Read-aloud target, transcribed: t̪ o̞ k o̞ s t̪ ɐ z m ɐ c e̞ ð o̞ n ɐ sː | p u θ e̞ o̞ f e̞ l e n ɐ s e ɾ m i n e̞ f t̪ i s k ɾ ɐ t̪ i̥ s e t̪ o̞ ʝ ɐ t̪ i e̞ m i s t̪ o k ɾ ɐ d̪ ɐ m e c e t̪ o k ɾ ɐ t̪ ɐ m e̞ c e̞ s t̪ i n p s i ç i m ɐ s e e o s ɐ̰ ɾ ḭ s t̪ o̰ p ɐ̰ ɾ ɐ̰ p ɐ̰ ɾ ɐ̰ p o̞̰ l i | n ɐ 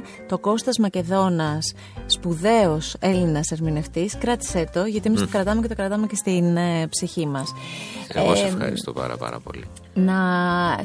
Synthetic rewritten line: t̪ o̞ k o̞ s t̪ ɐ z m ɐ c e̞ ð o̞ n ɐ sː | p u ð e̞ o̞ s e̞ l i n ɐ s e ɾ m i n e̞ f t̪ i s k ɾ ɐ t̪ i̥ s e t̪ o̞ ʝ ɐ t̪ i e̞ m i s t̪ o k ɾ ɐ t̪ ɐ m e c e t̪ o k ɾ ɐ t̪ ɐ m e̞ c e̞ s t̪ i n p s i ç i m ɐ s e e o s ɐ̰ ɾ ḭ s t̪ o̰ p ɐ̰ ɾ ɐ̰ p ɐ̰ ɾ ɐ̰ p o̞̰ l i | n ɐ